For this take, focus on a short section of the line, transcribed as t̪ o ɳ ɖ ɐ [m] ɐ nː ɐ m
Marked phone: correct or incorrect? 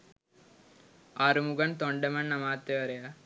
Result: correct